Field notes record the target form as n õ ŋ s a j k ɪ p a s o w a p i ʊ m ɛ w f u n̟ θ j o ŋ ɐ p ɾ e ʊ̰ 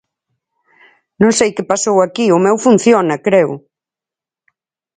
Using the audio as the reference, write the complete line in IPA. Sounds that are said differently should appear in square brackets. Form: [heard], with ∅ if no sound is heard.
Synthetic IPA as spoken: n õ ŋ s [e] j k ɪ p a s o w a [k] i ʊ m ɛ w f u n̟ θ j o [n] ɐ [k] ɾ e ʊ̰